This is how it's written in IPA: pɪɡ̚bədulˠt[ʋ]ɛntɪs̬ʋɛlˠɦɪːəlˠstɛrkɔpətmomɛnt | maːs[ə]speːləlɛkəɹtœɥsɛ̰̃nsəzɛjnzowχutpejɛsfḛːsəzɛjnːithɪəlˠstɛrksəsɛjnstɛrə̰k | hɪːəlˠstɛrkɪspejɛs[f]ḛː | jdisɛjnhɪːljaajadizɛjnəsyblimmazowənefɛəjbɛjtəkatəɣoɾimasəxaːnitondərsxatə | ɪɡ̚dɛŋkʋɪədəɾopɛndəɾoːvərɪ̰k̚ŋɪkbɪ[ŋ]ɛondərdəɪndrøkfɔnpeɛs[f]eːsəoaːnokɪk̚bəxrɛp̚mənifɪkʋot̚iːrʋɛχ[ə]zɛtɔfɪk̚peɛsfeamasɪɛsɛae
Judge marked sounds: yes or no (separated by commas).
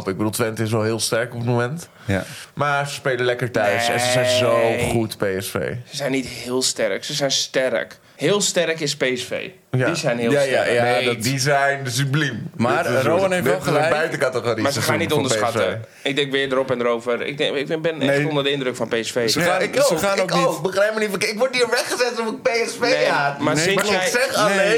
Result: yes, yes, yes, no, yes, yes